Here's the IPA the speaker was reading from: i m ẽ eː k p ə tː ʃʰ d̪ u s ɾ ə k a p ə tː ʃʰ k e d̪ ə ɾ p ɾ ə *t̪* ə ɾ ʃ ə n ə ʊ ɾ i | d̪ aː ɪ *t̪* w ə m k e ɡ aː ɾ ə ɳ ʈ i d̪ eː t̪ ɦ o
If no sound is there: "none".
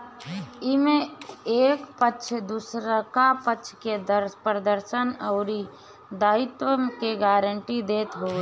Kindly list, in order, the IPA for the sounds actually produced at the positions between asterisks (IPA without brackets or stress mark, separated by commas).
d̪, t̪